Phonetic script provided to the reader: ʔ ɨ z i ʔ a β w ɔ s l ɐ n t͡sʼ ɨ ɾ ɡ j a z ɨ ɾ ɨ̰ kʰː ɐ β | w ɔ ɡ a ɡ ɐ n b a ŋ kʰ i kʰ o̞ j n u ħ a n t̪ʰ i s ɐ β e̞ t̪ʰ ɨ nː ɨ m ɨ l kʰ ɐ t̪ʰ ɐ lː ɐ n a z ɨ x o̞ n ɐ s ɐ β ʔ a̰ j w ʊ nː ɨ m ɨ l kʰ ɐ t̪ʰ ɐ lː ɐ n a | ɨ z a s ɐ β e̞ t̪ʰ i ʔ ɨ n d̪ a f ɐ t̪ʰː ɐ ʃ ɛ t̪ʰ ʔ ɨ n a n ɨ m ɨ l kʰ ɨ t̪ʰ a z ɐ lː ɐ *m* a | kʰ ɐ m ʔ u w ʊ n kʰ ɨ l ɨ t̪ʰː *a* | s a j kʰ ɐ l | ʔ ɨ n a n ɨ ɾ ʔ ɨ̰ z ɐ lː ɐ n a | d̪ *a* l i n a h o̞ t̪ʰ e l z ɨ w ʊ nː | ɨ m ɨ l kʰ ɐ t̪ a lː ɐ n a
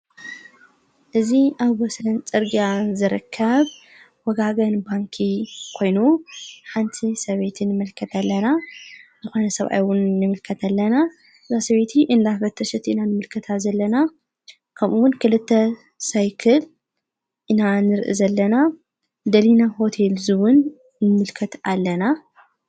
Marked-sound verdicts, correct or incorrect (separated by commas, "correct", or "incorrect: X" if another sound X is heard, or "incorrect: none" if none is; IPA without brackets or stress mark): incorrect: n, incorrect: ɐ, incorrect: ɐ